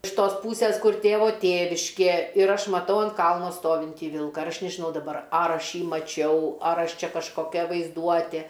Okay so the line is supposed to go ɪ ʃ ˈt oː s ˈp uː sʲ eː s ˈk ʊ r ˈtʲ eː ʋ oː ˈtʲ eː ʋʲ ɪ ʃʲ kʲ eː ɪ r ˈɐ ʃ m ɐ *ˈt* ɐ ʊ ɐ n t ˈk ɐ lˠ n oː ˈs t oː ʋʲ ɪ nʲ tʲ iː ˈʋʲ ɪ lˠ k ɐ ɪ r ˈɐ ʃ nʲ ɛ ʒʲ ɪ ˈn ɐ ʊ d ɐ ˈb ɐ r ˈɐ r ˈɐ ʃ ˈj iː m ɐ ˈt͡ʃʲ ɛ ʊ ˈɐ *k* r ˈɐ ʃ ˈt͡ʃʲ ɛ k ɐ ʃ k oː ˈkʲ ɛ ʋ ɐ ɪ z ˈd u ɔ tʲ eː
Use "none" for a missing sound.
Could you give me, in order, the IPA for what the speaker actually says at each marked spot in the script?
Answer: t, none

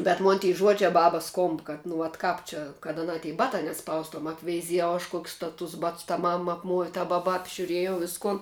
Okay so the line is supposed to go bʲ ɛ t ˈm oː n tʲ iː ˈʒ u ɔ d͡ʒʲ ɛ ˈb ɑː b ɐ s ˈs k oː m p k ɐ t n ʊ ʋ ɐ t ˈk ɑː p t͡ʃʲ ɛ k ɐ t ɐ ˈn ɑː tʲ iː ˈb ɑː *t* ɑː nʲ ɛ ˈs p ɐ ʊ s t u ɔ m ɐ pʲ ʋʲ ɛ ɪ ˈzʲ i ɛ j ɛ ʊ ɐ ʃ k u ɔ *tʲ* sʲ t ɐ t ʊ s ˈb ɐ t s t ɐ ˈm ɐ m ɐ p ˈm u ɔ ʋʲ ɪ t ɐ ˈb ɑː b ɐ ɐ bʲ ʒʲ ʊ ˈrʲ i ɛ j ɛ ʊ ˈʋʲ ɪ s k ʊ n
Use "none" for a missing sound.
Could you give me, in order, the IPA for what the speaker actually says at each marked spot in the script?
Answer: t, kʲ

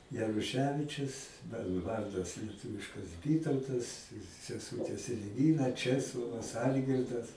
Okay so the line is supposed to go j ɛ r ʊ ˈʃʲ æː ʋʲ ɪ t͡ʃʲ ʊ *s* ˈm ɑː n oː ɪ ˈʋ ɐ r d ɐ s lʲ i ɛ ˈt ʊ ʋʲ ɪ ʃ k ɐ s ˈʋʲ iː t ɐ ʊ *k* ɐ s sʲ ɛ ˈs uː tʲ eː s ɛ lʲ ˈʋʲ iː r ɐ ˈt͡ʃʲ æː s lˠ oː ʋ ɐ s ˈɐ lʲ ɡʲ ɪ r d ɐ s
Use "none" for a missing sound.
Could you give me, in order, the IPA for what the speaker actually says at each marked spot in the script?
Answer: s, t

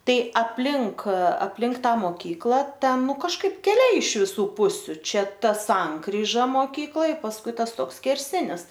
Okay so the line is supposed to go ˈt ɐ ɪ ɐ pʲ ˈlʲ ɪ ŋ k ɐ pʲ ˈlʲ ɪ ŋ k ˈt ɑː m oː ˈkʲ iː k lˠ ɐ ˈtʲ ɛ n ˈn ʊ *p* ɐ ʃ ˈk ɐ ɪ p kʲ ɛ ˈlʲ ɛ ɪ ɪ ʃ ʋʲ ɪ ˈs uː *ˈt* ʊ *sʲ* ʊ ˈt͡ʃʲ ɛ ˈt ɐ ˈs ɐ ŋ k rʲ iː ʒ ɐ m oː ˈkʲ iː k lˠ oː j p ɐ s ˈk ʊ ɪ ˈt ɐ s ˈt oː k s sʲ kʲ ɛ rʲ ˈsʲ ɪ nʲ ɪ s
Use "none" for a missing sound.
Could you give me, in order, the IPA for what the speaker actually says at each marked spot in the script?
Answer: k, p, sʲ

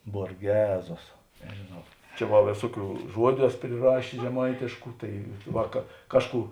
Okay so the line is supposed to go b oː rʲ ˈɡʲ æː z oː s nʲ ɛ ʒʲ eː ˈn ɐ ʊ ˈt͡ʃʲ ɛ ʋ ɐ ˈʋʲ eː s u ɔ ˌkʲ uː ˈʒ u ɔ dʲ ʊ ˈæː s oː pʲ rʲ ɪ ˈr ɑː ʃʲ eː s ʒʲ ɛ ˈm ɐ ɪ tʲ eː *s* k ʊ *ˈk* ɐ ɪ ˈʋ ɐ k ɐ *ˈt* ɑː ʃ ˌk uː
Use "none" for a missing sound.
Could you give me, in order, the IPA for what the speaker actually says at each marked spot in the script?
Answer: ʃ, t, k

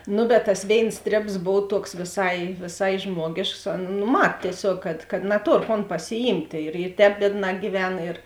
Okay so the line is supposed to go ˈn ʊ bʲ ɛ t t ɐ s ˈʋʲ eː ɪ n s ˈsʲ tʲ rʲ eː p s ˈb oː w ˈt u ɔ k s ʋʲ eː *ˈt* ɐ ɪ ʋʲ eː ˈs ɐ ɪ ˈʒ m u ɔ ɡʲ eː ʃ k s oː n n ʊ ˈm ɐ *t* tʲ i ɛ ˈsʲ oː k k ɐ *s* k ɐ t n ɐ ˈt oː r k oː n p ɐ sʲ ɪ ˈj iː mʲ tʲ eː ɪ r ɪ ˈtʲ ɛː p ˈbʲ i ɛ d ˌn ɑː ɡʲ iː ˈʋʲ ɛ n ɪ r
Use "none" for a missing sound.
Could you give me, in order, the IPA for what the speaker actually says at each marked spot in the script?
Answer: s, t, t

